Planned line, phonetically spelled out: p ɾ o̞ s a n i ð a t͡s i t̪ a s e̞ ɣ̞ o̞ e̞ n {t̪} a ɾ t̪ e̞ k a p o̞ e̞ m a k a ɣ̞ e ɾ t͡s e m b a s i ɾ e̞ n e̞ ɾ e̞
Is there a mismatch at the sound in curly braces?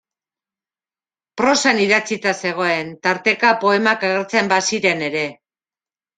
no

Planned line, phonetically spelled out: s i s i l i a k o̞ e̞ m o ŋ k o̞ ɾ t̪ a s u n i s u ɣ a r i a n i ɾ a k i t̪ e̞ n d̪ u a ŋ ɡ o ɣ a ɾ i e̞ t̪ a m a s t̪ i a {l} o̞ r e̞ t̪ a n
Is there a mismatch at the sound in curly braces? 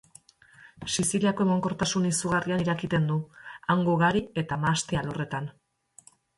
no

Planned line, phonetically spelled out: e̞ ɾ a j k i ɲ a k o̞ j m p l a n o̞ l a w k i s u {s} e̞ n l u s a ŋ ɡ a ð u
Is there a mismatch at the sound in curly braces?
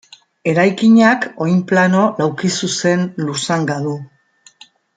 no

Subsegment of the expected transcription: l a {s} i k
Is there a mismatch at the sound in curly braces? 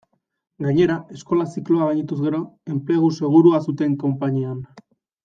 no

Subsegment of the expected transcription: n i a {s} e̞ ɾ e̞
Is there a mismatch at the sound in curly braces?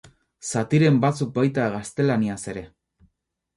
no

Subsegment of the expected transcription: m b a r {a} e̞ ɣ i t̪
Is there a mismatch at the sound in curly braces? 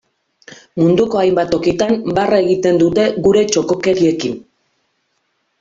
no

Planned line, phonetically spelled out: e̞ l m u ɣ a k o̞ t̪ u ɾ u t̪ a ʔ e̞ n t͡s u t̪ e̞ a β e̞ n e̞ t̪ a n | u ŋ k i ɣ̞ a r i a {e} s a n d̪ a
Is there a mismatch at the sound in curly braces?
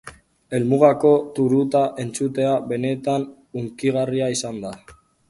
yes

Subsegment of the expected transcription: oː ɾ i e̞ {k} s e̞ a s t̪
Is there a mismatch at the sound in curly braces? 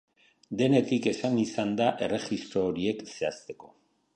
no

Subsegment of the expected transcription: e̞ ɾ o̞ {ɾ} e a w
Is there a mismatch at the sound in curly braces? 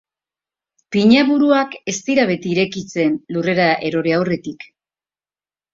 no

